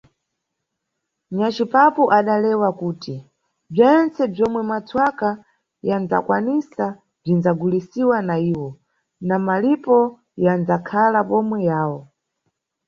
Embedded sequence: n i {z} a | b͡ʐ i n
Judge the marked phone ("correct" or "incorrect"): incorrect